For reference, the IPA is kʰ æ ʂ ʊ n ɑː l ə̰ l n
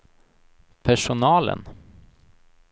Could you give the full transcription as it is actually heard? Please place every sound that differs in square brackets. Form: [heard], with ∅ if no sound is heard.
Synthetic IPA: [pʰ] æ ʂ ʊ n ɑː l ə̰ [∅] n